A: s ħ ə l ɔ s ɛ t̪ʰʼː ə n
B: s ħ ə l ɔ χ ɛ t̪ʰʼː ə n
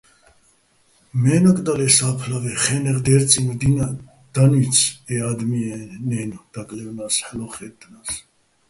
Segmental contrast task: B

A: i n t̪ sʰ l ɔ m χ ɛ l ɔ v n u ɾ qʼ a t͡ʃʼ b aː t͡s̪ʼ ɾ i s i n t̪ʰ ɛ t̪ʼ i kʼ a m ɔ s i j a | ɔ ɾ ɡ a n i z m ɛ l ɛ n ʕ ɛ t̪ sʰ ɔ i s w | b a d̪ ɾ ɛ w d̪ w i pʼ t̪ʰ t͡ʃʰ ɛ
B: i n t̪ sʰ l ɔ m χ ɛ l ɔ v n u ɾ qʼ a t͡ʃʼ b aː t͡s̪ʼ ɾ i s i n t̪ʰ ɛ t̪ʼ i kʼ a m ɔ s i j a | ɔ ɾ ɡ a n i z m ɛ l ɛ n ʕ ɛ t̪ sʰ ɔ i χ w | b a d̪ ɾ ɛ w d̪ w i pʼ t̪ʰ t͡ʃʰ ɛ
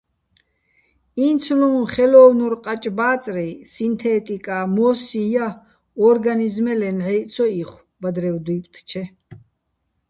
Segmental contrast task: B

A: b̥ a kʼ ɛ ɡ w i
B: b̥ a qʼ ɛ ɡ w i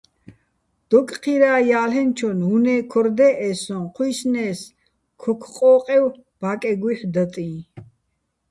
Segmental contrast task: A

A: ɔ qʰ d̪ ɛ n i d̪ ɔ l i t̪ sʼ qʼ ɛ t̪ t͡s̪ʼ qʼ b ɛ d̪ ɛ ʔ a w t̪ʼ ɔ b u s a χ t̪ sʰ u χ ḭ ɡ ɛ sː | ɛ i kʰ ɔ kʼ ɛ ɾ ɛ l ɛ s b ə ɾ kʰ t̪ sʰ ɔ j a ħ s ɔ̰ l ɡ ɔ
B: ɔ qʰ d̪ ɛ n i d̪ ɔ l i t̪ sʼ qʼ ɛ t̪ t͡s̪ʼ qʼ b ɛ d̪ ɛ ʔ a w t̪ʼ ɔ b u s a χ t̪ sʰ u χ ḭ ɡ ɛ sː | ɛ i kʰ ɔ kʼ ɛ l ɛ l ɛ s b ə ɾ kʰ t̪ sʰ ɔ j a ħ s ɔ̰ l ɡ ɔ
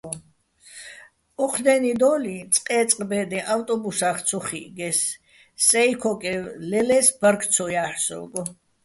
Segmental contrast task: B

